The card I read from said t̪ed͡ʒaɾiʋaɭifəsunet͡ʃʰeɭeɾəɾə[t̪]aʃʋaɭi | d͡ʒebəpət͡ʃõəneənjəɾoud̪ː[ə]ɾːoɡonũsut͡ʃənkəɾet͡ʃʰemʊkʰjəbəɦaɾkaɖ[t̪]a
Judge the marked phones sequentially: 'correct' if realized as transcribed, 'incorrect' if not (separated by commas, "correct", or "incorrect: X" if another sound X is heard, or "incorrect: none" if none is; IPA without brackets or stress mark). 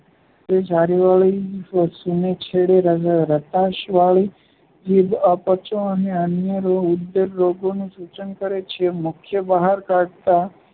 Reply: correct, correct, correct